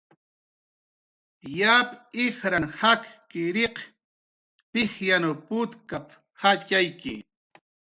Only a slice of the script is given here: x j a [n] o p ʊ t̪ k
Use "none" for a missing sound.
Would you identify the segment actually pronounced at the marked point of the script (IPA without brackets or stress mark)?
n